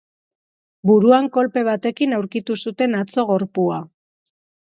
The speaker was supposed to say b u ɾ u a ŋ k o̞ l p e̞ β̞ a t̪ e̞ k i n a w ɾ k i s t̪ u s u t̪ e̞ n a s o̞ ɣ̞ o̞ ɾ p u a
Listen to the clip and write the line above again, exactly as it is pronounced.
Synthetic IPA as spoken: b u ɾ u a ŋ k o̞ l p e̞ β̞ a t̪ e̞ k i n a w ɾ k i t̪ u s u t̪ e̞ n a t͡s o̞ ɣ̞ o̞ ɾ p u a